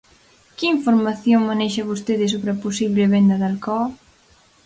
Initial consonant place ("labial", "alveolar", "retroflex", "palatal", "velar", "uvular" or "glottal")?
velar